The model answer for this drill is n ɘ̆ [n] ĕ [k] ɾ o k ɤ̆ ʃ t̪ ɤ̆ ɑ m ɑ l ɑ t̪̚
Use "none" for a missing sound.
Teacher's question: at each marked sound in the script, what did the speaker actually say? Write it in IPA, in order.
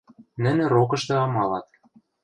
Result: n, none

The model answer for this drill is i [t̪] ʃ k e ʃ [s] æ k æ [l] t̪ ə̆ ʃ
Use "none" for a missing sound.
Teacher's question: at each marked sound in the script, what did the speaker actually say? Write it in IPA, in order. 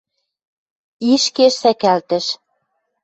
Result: none, s, l

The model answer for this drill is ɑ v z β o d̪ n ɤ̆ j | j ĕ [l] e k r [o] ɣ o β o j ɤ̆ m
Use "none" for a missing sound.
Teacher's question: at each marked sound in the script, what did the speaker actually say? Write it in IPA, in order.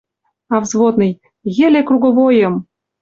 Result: l, u

